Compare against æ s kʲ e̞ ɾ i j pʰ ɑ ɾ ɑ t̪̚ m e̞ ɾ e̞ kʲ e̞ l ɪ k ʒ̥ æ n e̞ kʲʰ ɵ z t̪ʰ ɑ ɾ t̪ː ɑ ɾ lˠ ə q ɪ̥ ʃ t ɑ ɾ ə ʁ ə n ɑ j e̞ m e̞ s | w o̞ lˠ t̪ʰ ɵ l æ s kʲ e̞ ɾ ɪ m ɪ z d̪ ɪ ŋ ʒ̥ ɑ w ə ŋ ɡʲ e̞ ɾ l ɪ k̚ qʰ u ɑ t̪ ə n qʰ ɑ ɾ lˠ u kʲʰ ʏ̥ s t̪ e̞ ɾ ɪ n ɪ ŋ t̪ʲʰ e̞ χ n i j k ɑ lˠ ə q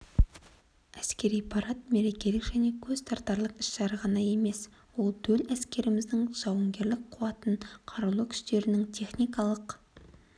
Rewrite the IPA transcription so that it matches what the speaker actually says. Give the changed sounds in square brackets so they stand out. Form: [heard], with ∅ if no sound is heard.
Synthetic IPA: æ s kʲ e̞ ɾ i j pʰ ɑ ɾ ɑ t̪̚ m e̞ ɾ e̞ kʲ e̞ l ɪ k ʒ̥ æ n e̞ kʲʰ ɵ z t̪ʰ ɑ ɾ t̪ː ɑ ɾ lˠ ə q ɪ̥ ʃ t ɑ ɾ ə ʁ [ɑ] n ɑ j e̞ m e̞ s | w o̞ lˠ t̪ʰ ɵ l æ s kʲ e̞ ɾ ɪ m ɪ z d̪ ɪ ŋ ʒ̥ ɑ w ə ŋ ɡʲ e̞ ɾ l ɪ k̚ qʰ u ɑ t̪ ə n qʰ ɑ ɾ lˠ u kʲʰ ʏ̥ s t̪ e̞ ɾ ɪ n ɪ ŋ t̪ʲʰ e̞ χ n i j k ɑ lˠ ə q